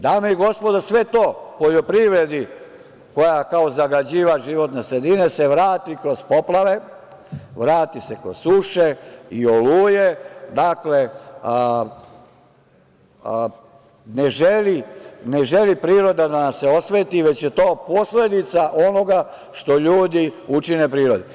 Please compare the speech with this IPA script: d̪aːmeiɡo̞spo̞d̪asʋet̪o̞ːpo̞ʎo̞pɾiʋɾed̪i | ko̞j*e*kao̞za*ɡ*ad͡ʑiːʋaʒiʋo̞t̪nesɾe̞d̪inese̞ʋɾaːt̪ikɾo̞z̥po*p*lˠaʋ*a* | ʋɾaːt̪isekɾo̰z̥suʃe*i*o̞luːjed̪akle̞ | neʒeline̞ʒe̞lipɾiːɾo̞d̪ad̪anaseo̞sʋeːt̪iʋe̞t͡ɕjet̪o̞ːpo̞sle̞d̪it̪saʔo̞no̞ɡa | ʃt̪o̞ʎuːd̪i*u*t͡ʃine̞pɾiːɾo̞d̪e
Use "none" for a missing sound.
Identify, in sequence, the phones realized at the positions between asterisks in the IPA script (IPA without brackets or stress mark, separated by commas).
a, ɡ, p, e, i, u